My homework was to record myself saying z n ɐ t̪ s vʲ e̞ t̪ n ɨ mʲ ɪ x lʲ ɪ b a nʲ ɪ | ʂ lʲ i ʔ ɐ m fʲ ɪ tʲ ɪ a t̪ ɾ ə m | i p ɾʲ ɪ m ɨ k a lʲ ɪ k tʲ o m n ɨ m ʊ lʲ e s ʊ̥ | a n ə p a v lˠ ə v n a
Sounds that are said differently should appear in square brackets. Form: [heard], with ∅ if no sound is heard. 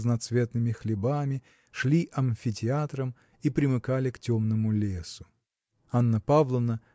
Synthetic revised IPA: z n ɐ t̪ s vʲ e̞ t̪ n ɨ mʲ ɪ x lʲ ɪ b a [mʲ] ɪ | ʂ lʲ i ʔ ɐ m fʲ ɪ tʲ ɪ a t̪ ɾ ə m | i p ɾʲ ɪ m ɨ k a lʲ ɪ k tʲ o m n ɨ m ʊ lʲ e s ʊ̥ | a [nː] ə p a v lˠ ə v n [ə]

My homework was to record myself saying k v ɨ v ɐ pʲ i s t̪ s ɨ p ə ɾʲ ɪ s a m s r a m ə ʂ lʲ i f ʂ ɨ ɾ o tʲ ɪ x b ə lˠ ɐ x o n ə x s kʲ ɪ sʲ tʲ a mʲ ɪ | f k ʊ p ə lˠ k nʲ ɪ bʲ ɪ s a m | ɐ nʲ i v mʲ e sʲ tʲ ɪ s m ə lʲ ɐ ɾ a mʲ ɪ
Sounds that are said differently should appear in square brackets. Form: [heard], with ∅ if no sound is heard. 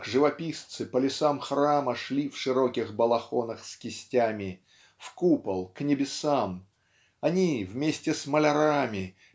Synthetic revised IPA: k [ʐ] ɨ v ɐ pʲ i s t̪ s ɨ p ə [lʲ] ɪ s a m [x] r a m ə ʂ lʲ i f ʂ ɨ ɾ o [kʲ] ɪ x b ə lˠ ɐ x o n ə x s kʲ ɪ sʲ tʲ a mʲ ɪ | f k [u] p ə lˠ k nʲ ɪ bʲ ɪ s a m | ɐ nʲ i v mʲ e sʲ tʲ ɪ s m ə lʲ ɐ ɾ a mʲ ɪ

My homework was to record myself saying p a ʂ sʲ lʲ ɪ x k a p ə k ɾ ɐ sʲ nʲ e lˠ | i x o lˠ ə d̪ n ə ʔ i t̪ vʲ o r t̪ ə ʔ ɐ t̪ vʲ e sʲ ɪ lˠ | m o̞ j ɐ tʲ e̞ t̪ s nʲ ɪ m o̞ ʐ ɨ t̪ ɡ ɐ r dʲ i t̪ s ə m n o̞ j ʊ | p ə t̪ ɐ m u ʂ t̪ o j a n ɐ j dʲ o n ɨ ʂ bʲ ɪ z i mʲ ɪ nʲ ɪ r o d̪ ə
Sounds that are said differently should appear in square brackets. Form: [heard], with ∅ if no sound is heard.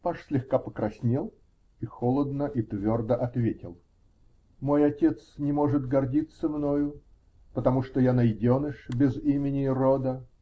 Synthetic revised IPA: p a ʂ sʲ lʲ ɪ x k a p ə k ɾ ɐ sʲ nʲ e lˠ | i x o lˠ ə d̪ n ə ʔ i t̪ vʲ o r [d̪] ə ʔ ɐ t̪ vʲ e [tʲ] ɪ lˠ | m o̞ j ɐ tʲ e̞ t̪ s nʲ ɪ m o̞ ʐ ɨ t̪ ɡ ɐ r dʲ i t̪ s ə m n o̞ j ʊ | p ə t̪ ɐ m u ʂ t̪ o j a n ɐ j dʲ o n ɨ ʂ bʲ ɪ z i mʲ ɪ nʲ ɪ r o d̪ ə

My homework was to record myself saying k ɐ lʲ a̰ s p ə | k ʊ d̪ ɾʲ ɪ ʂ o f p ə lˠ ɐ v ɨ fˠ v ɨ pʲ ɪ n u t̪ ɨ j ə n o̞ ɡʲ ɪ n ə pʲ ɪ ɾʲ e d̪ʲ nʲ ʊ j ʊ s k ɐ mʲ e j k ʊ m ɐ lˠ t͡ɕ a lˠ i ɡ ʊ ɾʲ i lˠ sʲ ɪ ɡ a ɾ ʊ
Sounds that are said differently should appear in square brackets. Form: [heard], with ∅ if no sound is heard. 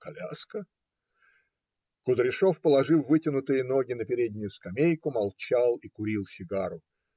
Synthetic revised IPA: k ɐ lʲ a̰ s [k] ə | k ʊ d̪ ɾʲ ɪ ʂ o f p ə lˠ ɐ [ʐ] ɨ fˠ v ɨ [tʲ] ɪ n [ʊ] t̪ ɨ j ə n o̞ ɡʲ ɪ n ə pʲ ɪ ɾʲ e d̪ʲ nʲ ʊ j ʊ s k ɐ mʲ e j k ʊ m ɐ lˠ t͡ɕ a lˠ i [k] ʊ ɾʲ i lˠ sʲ ɪ ɡ a ɾ ʊ

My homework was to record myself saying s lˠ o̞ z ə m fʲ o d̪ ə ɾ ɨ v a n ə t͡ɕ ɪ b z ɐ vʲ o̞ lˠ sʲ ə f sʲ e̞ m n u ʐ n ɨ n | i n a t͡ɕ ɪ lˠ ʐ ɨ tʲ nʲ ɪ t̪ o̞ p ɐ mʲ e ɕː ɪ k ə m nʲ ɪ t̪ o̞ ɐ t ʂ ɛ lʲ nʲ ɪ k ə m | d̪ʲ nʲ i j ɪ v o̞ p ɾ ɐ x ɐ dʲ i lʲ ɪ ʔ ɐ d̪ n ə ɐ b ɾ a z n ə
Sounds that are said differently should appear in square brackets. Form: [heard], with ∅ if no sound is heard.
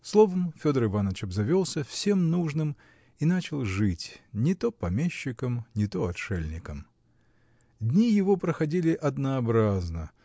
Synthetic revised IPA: s lˠ o̞ [v] ə m fʲ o d̪ ə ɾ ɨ v a n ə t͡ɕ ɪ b z ɐ vʲ o̞ lˠ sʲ ə f sʲ e̞ m n u ʐ n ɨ [m] | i n a t͡ɕ ɪ lˠ ʐ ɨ tʲ nʲ ɪ t̪ o̞ p ɐ mʲ e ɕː ɪ k ə m nʲ ɪ t̪ o̞ ɐ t ʂ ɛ lʲ nʲ ɪ k ə m | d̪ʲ nʲ i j ɪ v o̞ p ɾ [ə] x ɐ dʲ i lʲ ɪ ʔ ɐ d̪ n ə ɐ b ɾ a z n ə

